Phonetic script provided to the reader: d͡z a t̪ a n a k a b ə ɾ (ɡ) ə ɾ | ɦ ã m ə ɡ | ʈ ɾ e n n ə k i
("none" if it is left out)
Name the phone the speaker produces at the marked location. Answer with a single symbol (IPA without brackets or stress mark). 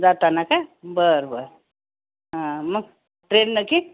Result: b